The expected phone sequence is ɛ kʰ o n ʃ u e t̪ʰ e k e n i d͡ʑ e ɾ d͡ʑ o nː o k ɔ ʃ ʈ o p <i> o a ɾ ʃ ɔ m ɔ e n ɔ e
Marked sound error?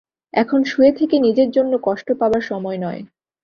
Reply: yes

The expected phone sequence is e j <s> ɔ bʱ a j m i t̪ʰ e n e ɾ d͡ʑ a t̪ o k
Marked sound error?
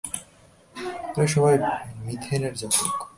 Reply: yes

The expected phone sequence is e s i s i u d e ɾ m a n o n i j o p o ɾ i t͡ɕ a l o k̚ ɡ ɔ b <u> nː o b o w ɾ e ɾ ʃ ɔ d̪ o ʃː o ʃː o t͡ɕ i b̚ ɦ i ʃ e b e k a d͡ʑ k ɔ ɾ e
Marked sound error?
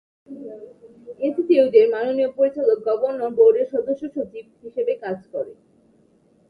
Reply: yes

